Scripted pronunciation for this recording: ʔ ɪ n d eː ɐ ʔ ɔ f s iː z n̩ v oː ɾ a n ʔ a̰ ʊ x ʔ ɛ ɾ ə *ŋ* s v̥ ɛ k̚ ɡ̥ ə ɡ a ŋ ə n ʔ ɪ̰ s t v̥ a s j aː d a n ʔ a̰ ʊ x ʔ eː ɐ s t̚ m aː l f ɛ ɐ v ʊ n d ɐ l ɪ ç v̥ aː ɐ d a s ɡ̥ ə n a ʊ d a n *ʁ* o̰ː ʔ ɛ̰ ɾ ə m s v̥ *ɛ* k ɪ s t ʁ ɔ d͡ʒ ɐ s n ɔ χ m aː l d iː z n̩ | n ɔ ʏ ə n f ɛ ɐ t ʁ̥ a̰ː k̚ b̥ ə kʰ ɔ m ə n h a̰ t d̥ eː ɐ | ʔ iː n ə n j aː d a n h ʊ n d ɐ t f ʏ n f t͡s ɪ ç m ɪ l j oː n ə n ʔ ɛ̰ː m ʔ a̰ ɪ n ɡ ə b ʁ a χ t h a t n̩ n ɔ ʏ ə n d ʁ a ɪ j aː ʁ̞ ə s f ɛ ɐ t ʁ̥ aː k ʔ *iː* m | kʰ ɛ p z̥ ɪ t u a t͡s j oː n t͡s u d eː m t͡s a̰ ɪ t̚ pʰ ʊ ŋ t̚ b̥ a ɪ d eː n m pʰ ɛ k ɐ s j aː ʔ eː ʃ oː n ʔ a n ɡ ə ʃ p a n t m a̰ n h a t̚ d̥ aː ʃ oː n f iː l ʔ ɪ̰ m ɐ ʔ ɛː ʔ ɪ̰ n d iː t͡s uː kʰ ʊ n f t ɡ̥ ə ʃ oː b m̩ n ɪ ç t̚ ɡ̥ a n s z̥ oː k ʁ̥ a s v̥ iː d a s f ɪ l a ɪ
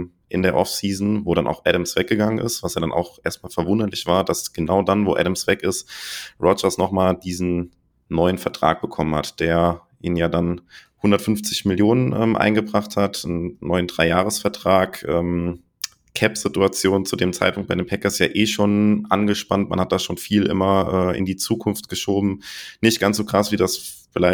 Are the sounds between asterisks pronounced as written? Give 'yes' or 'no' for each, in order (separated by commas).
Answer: no, no, yes, no